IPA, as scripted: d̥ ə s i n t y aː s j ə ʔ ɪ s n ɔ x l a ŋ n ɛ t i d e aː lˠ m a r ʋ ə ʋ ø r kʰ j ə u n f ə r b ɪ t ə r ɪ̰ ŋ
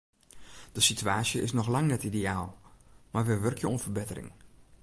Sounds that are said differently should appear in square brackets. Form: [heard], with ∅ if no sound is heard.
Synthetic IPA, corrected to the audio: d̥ ə s i [∅] t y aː s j ə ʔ ɪ s n ɔ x l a ŋ n ɛ t i d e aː lˠ m a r ʋ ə ʋ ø r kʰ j ə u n f ə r b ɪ t ə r ɪ̰ ŋ